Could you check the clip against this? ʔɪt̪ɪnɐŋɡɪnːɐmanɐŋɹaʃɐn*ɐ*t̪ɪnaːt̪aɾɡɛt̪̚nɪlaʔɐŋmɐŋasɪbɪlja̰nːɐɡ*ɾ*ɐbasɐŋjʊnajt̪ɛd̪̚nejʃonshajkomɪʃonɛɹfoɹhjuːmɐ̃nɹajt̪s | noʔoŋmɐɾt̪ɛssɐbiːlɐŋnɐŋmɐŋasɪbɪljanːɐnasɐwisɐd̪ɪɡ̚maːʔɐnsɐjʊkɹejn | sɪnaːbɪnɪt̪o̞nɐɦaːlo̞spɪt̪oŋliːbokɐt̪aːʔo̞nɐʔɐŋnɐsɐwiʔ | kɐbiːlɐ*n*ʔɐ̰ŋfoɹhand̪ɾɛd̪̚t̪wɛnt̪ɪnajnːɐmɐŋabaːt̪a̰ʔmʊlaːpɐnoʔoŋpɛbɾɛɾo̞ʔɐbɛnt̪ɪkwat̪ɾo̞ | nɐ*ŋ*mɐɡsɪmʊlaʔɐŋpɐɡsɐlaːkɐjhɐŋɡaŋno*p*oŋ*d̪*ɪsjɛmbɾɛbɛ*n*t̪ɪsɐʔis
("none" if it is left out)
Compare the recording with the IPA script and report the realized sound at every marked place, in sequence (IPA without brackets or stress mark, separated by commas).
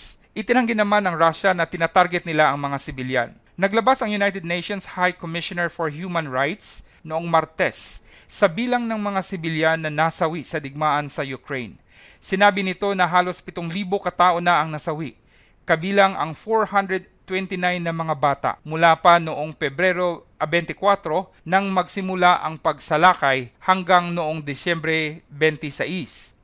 ɐ, l, ŋ, ŋ, ʔ, d̪, n